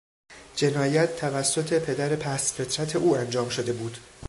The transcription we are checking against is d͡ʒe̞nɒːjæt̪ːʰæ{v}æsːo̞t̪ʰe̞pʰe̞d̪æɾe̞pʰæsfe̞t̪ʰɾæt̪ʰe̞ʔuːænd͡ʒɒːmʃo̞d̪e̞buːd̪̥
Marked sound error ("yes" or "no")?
no